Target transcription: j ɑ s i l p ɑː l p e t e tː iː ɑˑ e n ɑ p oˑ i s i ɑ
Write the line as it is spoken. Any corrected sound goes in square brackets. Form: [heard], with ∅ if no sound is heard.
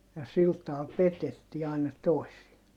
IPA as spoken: j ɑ s i l [t] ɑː l p e t e tː iː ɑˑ [i] n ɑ [t] oˑ i s i ɑ